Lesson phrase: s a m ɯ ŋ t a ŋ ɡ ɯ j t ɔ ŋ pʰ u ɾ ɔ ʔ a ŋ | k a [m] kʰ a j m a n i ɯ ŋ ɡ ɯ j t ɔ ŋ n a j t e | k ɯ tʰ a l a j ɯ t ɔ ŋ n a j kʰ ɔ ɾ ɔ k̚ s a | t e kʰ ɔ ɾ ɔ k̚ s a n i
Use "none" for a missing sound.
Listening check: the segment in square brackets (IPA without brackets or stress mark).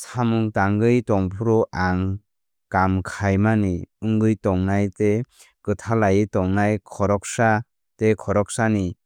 m